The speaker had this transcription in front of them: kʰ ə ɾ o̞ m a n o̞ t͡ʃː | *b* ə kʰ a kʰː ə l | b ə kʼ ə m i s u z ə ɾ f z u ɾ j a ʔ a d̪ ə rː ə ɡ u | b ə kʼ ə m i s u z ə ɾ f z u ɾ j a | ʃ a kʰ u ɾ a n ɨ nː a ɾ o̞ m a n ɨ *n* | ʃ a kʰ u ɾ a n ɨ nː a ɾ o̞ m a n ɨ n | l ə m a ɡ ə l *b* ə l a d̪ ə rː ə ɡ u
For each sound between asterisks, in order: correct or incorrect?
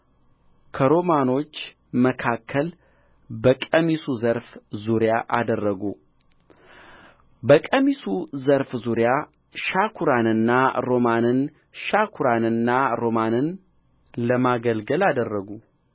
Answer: incorrect: m, correct, incorrect: ɡ

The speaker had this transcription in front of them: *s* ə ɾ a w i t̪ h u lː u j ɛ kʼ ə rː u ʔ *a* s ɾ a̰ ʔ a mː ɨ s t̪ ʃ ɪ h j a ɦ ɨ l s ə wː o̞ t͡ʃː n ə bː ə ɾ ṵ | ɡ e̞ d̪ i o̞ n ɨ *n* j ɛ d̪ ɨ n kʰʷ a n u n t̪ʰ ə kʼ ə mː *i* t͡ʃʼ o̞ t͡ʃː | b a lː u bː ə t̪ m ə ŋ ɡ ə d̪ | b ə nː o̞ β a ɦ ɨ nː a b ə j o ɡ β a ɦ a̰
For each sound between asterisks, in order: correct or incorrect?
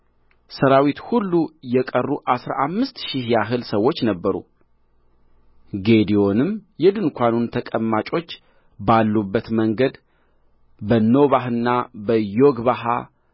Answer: correct, correct, incorrect: m, incorrect: a

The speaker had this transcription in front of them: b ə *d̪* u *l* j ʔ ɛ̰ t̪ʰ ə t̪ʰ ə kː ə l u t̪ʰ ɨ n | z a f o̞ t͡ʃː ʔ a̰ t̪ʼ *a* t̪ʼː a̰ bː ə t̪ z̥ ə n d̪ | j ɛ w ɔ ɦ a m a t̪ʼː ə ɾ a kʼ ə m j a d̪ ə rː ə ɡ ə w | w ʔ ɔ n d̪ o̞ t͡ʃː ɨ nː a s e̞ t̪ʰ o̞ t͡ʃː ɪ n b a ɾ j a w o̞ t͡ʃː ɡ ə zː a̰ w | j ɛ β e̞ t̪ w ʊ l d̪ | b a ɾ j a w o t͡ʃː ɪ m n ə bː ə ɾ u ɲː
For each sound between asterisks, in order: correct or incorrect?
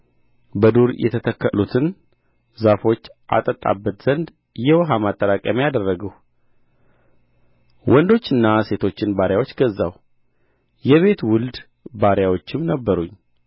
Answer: correct, incorrect: ɾ, incorrect: ə

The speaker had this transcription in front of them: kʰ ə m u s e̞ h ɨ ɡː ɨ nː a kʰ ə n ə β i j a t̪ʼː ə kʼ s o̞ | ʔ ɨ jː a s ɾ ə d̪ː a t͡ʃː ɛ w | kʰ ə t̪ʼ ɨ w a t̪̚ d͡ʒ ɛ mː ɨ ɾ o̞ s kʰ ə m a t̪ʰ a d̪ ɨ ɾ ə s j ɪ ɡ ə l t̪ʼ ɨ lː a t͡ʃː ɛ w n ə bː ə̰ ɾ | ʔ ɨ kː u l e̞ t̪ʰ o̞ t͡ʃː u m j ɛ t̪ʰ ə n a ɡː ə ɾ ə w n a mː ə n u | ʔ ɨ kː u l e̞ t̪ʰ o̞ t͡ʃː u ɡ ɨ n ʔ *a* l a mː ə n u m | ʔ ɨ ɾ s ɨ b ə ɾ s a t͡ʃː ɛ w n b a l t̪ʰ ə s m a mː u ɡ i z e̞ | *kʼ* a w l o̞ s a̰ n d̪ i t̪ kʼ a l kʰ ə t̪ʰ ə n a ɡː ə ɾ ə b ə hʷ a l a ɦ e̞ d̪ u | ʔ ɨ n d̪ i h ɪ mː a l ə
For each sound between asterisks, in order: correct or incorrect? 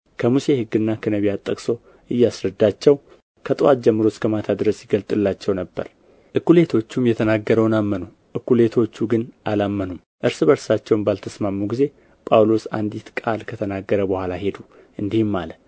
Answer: correct, incorrect: pʼ

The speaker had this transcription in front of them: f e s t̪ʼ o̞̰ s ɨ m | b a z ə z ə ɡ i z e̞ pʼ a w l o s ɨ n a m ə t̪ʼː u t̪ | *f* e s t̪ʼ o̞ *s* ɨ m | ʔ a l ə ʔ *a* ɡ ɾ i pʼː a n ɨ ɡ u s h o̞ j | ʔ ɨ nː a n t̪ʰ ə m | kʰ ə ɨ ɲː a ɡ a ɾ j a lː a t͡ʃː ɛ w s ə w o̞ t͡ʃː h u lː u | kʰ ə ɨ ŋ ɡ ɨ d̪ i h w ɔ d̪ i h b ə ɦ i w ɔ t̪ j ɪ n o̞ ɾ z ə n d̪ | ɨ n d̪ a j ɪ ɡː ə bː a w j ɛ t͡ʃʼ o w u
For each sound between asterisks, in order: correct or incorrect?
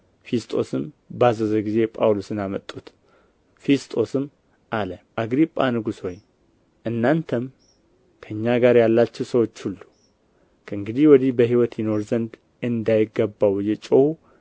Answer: correct, correct, correct

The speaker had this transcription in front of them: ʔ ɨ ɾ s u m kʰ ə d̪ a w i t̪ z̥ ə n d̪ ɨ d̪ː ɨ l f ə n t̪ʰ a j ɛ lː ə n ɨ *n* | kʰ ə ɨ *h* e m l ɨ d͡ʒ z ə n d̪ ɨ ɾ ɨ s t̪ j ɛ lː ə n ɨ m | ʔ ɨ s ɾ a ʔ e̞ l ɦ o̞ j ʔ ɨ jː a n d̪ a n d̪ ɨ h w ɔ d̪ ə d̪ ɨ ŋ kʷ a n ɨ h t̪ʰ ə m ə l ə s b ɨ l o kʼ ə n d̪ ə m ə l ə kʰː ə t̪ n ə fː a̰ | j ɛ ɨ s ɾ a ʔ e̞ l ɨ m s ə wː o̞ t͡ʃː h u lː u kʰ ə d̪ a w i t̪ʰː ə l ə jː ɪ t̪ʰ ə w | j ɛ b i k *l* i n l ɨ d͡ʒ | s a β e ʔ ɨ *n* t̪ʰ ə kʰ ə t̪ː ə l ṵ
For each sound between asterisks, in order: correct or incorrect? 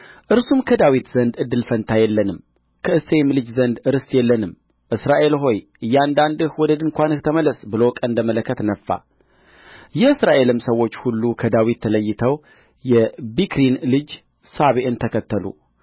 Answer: incorrect: m, incorrect: s, incorrect: ɾ, correct

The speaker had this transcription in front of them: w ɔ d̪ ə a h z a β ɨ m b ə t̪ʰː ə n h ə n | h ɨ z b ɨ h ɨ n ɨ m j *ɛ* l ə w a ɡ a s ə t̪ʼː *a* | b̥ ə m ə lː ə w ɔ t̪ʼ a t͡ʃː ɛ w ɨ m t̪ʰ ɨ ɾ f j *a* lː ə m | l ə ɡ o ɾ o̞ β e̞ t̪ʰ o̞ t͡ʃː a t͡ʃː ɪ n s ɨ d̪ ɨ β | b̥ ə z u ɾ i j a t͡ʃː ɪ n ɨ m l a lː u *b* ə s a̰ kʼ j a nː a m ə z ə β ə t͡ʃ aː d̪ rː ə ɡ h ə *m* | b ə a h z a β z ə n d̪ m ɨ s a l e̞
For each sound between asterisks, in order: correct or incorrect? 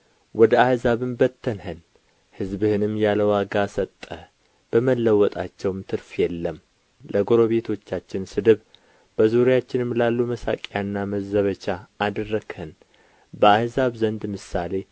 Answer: incorrect: a, incorrect: ə, incorrect: ɛ, incorrect: m, incorrect: n

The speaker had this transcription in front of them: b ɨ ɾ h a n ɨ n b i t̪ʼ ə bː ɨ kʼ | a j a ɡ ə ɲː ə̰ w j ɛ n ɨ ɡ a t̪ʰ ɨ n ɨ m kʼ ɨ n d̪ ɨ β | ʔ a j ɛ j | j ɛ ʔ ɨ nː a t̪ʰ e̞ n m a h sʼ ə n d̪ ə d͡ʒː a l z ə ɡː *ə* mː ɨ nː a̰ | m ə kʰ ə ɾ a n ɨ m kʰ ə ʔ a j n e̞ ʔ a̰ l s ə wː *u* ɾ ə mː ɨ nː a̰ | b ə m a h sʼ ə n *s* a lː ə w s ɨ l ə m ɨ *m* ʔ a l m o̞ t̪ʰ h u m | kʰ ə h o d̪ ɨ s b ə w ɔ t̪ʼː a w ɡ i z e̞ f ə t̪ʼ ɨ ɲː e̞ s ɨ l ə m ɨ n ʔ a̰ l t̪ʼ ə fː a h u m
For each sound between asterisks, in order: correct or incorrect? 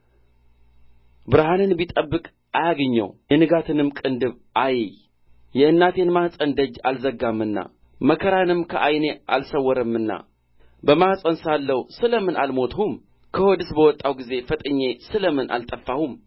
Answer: incorrect: a, incorrect: ɔ, correct, incorrect: n

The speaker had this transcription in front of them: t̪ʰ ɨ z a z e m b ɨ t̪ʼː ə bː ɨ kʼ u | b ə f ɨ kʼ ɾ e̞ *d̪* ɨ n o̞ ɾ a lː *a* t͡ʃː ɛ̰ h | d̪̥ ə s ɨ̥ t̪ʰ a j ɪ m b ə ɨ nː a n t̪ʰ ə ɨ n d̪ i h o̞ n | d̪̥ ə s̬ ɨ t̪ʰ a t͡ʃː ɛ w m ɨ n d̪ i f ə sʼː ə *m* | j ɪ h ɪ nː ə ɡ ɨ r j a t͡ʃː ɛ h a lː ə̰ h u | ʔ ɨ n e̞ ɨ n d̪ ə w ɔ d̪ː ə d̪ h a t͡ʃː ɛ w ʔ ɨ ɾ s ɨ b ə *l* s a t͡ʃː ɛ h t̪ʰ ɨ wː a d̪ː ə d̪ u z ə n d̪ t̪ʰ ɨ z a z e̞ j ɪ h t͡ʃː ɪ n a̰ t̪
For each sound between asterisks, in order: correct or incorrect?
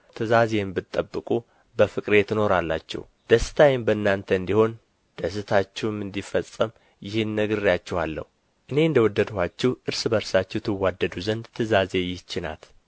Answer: incorrect: t̪, correct, correct, incorrect: ɾ

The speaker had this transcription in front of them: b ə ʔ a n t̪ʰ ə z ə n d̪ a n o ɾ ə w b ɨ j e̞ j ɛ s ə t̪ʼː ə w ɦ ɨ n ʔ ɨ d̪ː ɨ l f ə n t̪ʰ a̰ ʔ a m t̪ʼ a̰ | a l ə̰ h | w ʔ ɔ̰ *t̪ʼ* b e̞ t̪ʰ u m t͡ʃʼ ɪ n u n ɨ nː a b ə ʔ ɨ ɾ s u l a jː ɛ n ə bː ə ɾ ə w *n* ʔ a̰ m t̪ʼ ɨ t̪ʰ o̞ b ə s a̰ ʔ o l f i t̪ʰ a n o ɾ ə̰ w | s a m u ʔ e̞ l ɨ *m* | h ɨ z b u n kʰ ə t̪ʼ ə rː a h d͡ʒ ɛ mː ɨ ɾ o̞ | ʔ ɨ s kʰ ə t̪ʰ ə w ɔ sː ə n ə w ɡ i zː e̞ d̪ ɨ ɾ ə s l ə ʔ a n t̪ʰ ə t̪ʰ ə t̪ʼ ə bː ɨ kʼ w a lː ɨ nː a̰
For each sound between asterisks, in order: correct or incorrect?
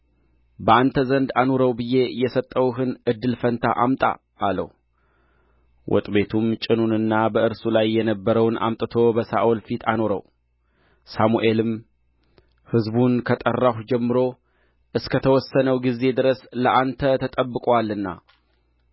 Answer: correct, correct, correct

